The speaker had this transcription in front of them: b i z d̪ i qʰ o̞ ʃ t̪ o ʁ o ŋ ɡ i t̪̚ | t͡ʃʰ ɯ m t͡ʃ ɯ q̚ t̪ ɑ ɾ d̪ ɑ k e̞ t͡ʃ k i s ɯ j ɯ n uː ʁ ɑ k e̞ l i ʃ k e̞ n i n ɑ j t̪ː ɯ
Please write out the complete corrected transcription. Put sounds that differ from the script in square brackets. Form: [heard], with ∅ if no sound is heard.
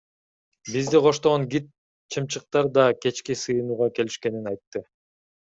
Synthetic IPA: b i z d̪ i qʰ o̞ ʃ t̪ o ʁ o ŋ ɡ i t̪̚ | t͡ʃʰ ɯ m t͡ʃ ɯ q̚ t̪ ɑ ɾ d̪ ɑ k e̞ t͡ʃ k i s ɯ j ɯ n uː ʁ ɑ k e̞ l i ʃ k e̞ n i n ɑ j t̪ː ɯ